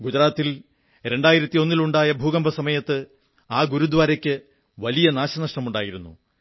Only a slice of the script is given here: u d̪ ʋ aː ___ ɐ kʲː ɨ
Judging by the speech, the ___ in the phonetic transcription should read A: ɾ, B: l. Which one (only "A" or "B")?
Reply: A